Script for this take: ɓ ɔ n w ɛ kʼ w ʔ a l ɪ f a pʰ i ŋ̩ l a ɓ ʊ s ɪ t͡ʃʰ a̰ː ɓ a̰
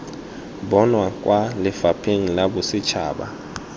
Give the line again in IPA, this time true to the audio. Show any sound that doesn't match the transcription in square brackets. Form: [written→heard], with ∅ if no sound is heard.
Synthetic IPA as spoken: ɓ ɔ n w [ɛ→a] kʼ w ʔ a l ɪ f a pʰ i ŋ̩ l a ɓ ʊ s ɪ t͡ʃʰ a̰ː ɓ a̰

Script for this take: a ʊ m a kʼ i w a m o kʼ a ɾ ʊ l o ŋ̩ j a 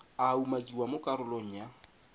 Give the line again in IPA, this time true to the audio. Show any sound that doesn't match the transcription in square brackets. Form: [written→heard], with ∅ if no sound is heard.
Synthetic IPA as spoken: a [ʊ→u] m a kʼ i w a m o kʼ a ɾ ʊ l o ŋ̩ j a

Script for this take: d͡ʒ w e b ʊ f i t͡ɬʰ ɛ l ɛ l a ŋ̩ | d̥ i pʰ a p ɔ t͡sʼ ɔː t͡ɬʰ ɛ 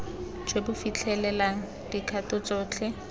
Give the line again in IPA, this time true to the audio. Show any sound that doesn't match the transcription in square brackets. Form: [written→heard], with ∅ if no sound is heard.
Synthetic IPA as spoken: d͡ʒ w e b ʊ f i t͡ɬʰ ɛ l ɛ l a ŋ̩ | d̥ i [pʰ→kʰ] a [p→t] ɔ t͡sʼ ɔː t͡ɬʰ ɛ

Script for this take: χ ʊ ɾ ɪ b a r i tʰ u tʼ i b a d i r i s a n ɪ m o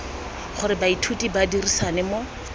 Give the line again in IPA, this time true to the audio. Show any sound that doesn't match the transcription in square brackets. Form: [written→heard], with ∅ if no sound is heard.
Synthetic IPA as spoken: χ ʊ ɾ ɪ b a [r→∅] i tʰ u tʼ i b a d i r i s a n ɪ m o

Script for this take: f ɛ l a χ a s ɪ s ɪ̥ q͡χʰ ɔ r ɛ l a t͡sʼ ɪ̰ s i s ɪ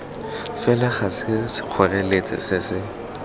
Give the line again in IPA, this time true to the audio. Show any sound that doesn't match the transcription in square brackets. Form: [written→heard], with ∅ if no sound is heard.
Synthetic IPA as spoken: f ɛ l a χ a s ɪ s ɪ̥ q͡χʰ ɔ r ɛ l [a→e] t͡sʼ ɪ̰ s [i→ɪ] s ɪ

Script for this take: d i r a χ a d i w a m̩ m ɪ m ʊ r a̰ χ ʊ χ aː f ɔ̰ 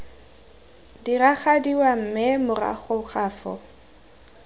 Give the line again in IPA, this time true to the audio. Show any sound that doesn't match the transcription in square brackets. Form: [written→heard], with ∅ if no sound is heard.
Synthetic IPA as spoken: d i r a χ a d i w a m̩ m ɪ m ʊ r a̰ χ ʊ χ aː f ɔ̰

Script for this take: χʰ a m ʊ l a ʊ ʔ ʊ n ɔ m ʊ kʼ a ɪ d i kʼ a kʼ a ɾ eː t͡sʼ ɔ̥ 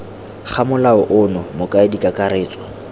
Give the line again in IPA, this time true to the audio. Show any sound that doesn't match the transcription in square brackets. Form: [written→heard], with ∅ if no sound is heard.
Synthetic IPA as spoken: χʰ a m ʊ l a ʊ ʔ ʊ n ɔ m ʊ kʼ a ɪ d i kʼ a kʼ a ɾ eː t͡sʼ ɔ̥

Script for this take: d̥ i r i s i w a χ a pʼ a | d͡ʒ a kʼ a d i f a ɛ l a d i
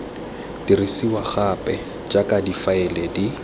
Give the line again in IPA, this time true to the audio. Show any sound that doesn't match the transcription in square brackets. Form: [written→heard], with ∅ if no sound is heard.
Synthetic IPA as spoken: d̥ i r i s i w a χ a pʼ [a→ɛ] | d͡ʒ a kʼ a d i f a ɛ l [a→ɛ] d i

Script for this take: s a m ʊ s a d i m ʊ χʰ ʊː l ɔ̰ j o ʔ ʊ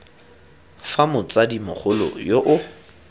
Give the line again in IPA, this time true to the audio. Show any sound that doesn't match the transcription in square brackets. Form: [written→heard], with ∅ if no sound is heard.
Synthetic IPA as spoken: [s→f] a m ʊ [s→t͡s] a d i m ʊ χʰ [ʊː→ʊ] l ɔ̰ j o ʔ ʊ

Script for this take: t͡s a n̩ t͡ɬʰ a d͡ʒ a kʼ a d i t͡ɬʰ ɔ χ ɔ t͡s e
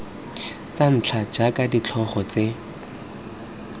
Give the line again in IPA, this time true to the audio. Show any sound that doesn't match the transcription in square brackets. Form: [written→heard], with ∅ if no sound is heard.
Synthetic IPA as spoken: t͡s a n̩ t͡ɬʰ a d͡ʒ a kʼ a d i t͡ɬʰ ɔ χ ɔ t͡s e

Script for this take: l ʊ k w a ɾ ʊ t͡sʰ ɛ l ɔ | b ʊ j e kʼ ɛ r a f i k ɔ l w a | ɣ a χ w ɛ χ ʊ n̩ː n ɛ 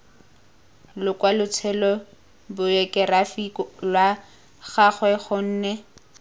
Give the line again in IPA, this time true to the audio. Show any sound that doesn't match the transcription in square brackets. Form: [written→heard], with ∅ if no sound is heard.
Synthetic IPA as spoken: l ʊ k w a [ɾ→l] ʊ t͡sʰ ɛ l ɔ | b ʊ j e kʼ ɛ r a f i k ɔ l w a | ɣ a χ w ɛ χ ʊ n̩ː n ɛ

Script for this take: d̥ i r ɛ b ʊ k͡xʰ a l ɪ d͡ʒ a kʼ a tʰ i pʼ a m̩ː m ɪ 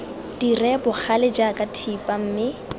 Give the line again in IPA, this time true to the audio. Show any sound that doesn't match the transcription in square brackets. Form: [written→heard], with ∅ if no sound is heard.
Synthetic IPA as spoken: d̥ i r ɛ b ʊ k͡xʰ a l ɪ d͡ʒ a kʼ a tʰ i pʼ a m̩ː m ɪ

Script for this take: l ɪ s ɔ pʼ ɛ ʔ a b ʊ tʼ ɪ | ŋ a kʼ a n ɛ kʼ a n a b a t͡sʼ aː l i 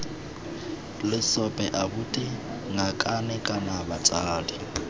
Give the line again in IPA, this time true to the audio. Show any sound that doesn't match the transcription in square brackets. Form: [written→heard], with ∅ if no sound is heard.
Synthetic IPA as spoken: l ɪ s ɔ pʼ ɛ ʔ a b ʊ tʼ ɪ | ŋ a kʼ a n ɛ kʼ a n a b a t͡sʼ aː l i

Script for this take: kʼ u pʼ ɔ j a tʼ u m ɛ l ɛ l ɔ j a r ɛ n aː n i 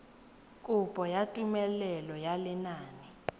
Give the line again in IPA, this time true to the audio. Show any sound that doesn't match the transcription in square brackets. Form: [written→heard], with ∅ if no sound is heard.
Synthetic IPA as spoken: kʼ u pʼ ɔ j a tʼ u m ɛ l ɛ l ɔ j a [r→l] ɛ n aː n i

